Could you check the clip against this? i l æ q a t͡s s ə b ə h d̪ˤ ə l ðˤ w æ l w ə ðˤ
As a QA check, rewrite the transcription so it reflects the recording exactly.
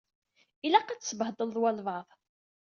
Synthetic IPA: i l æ q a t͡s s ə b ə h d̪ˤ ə l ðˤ w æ l v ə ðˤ

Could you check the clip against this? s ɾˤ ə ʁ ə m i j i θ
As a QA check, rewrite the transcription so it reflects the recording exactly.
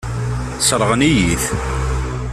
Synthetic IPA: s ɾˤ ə ʁ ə n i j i θ

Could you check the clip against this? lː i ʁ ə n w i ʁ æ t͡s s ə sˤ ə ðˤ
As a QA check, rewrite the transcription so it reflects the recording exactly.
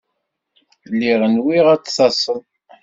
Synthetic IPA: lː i ʁ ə n w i ʁ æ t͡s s ɑ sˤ ə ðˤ

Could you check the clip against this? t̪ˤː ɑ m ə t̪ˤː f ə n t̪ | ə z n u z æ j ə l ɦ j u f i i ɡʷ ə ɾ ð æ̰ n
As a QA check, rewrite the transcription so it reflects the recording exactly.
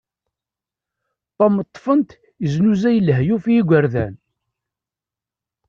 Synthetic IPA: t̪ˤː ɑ m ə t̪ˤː f ə n t̪ | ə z n u z æ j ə l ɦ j u f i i ɡʷ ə ɾ ð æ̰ n

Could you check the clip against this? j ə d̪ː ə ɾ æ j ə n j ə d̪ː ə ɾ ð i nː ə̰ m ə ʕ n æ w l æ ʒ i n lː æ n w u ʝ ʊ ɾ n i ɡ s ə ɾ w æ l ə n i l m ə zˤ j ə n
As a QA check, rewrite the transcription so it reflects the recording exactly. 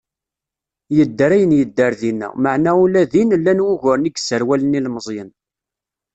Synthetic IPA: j ə d̪ː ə ɾ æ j ə n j ə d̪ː ə ɾ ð i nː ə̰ m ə ʕ n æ u l æ ð i n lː æ n w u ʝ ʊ ɾ n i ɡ s ə ɾ w æ l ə n i l m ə zˤ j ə n

